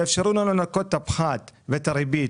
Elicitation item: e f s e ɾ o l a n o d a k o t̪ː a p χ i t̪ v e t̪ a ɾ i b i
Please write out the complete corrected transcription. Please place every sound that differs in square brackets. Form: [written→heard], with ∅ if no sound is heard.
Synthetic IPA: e f [s→ʃ] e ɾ [o→u] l a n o [d→n] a k o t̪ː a p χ [i→a] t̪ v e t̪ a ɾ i b i